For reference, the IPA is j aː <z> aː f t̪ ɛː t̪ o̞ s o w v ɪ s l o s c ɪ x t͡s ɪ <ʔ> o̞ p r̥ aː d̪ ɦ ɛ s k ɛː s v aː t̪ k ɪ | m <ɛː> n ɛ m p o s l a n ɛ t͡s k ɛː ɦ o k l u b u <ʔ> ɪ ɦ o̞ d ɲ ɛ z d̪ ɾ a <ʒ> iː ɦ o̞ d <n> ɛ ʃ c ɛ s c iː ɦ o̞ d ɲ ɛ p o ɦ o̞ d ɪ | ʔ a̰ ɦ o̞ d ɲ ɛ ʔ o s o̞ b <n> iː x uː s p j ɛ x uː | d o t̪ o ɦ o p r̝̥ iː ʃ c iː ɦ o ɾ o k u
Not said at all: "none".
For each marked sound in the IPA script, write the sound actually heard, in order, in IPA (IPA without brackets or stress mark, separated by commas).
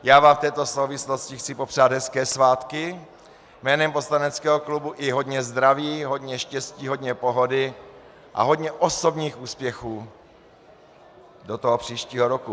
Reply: v, p, ɛː, ʔ, v, ɲ, ɲ